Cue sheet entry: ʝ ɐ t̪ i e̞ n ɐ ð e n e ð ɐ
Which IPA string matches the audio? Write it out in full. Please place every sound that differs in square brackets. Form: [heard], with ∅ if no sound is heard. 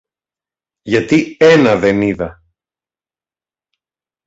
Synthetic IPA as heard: ʝ ɐ t̪ i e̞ n ɐ ð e n [i] ð ɐ